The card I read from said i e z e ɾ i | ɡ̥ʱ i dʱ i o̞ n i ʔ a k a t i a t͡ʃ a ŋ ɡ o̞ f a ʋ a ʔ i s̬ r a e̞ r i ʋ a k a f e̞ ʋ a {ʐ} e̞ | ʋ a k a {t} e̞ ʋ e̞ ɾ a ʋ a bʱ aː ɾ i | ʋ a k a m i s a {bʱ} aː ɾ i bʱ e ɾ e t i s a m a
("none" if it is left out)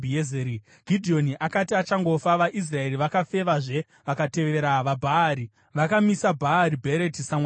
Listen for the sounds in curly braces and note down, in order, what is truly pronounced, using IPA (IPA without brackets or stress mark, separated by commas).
ʐ, t, bʱ